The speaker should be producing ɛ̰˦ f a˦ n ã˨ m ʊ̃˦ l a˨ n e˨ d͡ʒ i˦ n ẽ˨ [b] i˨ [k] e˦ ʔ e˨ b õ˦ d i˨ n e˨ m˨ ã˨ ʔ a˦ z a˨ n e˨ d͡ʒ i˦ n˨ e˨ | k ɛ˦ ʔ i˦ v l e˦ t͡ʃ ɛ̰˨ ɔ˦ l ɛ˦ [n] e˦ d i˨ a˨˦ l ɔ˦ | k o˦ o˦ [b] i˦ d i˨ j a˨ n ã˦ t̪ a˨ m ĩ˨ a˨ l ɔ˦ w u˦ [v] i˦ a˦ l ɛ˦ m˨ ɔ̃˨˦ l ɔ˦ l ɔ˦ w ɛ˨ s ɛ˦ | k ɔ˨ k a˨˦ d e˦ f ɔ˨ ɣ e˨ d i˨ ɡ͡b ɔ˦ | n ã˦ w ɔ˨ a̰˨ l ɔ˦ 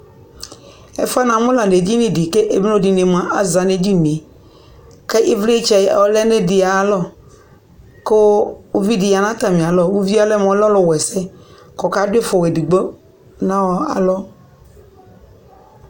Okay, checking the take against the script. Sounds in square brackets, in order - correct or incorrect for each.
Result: incorrect: d, correct, correct, incorrect: v, correct

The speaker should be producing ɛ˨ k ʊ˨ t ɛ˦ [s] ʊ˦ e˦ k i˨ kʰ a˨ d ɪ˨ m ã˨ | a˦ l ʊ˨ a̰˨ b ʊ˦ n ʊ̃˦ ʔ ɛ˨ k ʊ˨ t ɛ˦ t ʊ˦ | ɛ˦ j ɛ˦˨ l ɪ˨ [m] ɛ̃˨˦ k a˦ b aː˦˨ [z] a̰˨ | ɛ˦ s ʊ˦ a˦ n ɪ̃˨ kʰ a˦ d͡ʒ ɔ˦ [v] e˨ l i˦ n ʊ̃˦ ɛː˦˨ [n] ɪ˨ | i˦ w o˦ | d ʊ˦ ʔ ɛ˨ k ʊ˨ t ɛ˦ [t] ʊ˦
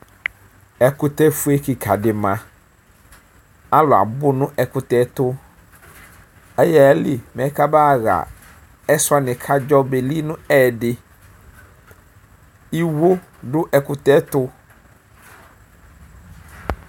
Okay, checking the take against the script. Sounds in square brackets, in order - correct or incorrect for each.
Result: incorrect: f, correct, incorrect: ɣ, incorrect: b, incorrect: d, correct

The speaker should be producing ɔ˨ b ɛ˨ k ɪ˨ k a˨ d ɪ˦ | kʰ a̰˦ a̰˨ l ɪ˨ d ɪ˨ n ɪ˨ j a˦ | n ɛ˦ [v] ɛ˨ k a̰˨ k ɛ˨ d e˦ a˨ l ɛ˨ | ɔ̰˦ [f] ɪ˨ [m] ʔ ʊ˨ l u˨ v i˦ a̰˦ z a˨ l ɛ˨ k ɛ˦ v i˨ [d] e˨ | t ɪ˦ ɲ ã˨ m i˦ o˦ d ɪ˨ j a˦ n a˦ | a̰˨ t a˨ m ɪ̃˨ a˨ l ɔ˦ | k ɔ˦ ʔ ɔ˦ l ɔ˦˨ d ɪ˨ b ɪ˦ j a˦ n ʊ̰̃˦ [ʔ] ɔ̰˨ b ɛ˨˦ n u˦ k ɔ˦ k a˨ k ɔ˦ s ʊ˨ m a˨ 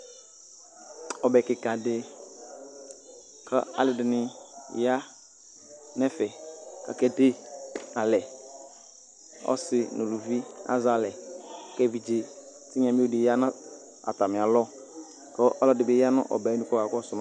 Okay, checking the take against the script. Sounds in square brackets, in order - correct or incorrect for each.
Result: incorrect: f, incorrect: s, incorrect: n, incorrect: d͡ʒ, correct

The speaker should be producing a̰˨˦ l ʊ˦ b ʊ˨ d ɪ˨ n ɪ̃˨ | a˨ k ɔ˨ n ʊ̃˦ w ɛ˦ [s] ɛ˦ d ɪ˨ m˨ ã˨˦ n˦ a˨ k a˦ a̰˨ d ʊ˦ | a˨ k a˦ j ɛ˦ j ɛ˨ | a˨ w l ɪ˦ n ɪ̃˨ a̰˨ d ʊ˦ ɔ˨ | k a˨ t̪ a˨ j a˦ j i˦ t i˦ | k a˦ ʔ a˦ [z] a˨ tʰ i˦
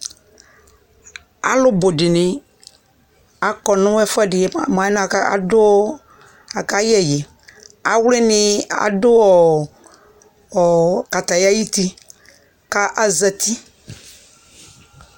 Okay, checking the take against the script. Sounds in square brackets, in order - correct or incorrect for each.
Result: incorrect: f, correct

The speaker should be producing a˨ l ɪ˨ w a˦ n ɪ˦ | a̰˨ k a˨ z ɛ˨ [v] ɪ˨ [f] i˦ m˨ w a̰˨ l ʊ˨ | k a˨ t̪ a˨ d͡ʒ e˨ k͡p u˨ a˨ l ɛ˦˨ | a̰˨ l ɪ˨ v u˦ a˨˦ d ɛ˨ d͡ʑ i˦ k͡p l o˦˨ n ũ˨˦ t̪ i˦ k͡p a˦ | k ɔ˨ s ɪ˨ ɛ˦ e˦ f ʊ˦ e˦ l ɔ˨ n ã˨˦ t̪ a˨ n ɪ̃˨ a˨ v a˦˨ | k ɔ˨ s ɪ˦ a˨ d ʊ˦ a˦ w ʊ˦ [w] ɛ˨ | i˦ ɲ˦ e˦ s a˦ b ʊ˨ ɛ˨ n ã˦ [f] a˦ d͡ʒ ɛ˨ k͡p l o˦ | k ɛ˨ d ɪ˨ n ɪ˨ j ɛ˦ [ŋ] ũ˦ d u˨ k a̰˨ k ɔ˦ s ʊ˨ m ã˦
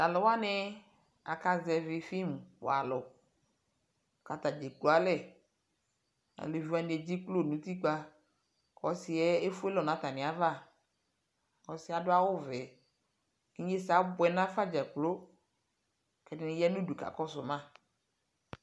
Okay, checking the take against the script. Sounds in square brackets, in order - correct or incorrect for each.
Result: correct, correct, incorrect: v, correct, incorrect: n

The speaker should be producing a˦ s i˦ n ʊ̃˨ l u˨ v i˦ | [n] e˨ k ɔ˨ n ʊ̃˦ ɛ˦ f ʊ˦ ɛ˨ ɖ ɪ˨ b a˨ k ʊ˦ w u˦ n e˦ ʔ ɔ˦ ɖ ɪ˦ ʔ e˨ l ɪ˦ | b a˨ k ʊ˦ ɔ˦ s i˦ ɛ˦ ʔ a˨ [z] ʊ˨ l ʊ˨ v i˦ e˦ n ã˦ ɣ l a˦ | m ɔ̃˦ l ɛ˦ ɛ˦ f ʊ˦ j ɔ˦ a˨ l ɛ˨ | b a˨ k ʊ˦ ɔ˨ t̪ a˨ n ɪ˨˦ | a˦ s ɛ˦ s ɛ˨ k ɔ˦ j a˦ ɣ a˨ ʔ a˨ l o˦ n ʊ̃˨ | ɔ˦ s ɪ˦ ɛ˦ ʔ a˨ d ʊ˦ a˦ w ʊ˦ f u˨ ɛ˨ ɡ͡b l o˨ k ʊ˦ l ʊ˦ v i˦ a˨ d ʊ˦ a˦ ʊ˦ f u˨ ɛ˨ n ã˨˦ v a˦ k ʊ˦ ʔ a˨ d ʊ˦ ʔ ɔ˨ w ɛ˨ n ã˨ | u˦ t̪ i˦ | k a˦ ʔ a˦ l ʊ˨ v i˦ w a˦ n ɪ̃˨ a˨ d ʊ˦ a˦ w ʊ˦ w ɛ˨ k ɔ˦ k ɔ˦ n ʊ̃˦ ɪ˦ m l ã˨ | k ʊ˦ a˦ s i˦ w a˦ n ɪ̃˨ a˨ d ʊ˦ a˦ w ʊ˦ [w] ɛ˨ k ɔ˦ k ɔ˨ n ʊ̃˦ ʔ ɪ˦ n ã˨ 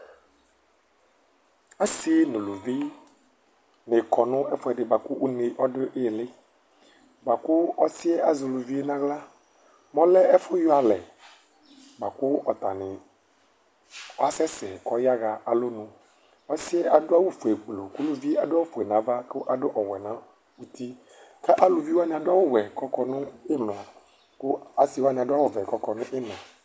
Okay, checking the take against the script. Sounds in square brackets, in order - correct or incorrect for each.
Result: correct, correct, incorrect: v

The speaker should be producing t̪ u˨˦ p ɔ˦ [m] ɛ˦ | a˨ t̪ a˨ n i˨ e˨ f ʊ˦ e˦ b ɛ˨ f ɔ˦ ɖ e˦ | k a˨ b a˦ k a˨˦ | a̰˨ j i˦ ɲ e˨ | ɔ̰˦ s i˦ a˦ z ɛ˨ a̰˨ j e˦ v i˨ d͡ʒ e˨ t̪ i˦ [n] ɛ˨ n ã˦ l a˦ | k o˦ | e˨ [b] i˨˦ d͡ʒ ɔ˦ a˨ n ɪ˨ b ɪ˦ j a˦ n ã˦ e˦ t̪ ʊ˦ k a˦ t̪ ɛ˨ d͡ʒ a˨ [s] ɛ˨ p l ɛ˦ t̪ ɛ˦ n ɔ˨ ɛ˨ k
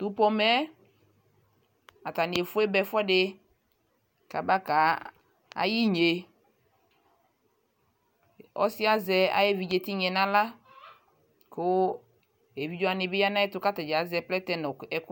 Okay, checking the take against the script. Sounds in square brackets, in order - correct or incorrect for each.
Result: correct, incorrect: ɲ, incorrect: v, incorrect: z

